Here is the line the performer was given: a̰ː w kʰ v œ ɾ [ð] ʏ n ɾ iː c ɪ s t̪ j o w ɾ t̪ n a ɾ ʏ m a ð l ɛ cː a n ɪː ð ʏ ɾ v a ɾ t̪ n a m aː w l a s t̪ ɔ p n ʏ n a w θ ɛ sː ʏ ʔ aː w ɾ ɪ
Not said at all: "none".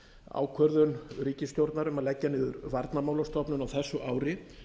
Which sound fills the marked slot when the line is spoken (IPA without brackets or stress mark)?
ð